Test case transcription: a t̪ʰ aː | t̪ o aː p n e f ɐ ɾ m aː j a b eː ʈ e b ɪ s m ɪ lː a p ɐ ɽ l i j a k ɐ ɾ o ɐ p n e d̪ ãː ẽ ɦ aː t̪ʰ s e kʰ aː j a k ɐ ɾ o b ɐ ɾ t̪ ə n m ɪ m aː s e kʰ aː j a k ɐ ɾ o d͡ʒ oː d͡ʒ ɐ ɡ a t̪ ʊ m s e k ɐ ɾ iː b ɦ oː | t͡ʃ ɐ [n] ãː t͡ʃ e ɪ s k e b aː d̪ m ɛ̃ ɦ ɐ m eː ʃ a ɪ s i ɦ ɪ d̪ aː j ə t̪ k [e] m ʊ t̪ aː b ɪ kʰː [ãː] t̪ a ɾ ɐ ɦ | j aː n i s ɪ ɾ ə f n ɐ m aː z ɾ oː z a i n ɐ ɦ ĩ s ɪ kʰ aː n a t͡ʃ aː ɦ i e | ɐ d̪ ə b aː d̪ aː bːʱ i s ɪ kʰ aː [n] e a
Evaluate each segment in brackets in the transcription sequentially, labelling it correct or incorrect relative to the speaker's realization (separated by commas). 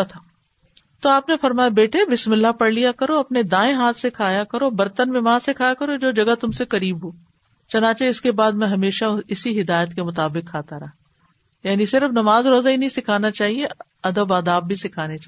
correct, correct, incorrect, correct